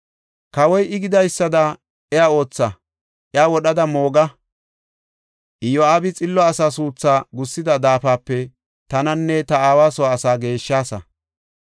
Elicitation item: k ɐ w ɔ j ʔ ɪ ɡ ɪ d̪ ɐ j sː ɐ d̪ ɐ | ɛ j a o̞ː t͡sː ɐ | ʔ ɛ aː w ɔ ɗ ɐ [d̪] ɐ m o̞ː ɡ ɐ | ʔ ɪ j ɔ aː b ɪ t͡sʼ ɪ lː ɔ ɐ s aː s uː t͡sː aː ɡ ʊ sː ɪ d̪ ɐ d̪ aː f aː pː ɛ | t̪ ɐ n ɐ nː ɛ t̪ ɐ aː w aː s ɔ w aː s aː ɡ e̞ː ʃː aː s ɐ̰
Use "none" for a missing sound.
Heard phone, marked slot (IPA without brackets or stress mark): d̪